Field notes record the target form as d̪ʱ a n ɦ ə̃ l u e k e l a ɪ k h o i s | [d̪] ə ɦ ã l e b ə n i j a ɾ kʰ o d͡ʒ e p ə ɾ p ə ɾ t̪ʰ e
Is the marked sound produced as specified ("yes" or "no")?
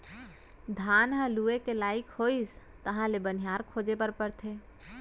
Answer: no